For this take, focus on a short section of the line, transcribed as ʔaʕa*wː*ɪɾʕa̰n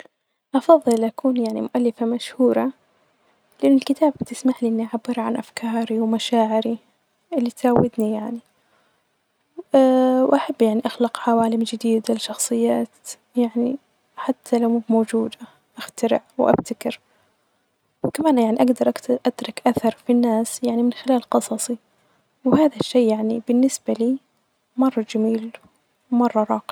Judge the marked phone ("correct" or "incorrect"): incorrect